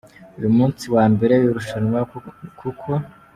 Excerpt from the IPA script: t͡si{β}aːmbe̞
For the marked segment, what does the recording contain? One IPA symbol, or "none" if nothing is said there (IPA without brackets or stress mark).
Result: w